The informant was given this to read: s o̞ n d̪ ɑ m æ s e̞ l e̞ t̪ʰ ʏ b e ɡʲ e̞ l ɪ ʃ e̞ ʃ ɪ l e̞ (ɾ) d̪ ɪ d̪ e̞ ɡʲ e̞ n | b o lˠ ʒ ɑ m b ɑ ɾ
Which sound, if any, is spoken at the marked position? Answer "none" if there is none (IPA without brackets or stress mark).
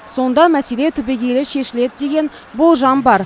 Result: none